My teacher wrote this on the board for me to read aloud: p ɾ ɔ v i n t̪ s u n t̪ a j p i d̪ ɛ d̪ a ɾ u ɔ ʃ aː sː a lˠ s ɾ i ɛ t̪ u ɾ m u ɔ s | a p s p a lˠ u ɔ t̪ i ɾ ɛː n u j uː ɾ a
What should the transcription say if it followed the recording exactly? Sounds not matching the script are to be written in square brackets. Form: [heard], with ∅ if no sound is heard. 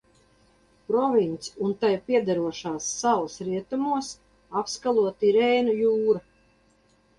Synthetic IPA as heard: p ɾ ɔ v i n t̪ s u n t̪ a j p i [∅] ɛ d̪ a ɾ u ɔ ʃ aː sː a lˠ s ɾ i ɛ t̪ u [∅] m u ɔ s | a p s [k] a lˠ u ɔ t̪ i ɾ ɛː n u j uː ɾ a